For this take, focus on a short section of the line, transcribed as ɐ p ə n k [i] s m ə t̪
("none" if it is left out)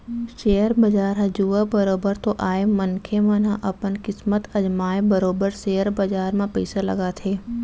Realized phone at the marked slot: ɪ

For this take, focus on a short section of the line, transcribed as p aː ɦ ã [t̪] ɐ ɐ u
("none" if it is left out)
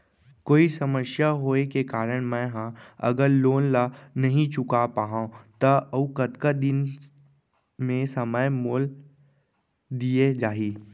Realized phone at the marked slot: t̪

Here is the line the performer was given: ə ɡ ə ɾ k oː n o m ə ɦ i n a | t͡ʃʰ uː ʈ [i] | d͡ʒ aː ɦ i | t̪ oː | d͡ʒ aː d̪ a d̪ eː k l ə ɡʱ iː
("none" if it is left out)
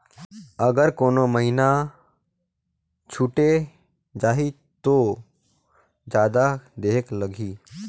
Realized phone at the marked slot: e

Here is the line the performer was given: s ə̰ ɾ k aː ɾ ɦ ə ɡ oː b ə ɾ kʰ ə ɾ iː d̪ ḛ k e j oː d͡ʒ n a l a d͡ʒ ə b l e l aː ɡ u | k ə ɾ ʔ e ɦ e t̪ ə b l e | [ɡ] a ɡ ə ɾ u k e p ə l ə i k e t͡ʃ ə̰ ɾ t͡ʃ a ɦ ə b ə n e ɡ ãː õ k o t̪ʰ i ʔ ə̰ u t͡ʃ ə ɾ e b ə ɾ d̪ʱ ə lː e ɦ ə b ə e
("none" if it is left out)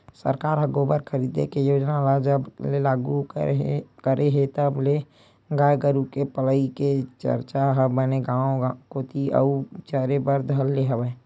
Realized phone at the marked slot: ɡ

